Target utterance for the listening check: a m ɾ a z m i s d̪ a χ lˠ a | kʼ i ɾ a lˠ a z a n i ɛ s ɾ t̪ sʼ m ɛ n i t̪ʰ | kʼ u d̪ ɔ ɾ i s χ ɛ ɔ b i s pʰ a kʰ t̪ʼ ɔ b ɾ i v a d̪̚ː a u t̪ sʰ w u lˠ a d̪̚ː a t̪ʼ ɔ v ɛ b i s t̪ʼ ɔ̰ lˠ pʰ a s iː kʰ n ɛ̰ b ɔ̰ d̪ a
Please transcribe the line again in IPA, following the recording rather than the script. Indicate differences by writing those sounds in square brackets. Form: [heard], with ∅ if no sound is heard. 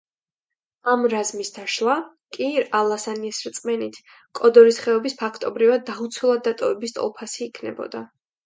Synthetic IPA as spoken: a m ɾ a z m i s d̪ a [ʃ] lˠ a | kʼ i ɾ a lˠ a [s] a n i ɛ s ɾ t̪ sʼ m ɛ n i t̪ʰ | kʼ [ɔ] d̪ ɔ ɾ i s χ ɛ ɔ b i s pʰ a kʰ t̪ʼ ɔ b ɾ i v a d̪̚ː a u t̪ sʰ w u lˠ a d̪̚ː a t̪ʼ ɔ v ɛ b i s t̪ʼ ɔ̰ lˠ pʰ a s iː kʰ n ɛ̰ b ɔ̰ d̪ a